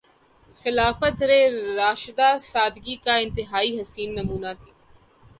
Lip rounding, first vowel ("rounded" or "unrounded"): unrounded